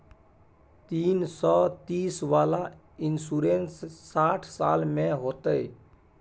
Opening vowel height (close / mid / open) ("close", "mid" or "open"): close